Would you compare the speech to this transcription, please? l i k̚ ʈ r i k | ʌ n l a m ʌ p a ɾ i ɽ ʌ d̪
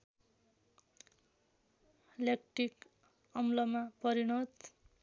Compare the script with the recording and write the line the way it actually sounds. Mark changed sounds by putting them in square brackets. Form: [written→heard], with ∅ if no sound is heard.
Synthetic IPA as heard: l [i→e] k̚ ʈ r i k | ʌ [n→m] l [a→ʌ] m [ʌ→a] p [a→ʌ] ɾ i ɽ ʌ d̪